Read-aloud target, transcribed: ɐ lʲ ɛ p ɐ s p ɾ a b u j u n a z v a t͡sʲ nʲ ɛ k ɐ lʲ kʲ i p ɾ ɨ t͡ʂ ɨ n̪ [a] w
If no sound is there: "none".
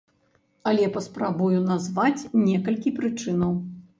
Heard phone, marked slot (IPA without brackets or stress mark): ɐ